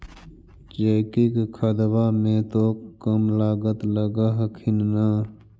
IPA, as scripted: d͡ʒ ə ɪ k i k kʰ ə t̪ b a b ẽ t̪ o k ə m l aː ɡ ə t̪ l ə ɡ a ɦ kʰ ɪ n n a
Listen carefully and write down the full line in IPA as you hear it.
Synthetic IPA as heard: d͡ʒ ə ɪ k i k kʰ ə d̪ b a m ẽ t̪ o k ə m l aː ɡ ə t̪ l ə ɡ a ɦ kʰ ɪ n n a